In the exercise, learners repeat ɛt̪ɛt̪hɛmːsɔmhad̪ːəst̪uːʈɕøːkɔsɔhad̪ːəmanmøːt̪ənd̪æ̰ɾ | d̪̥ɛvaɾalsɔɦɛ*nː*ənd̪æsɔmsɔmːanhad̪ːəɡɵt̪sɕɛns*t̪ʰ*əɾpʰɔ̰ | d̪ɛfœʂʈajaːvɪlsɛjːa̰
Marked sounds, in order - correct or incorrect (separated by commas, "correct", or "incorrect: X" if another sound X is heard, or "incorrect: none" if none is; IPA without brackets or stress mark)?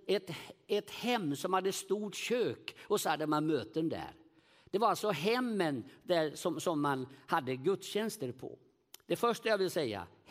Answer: incorrect: mː, incorrect: t̪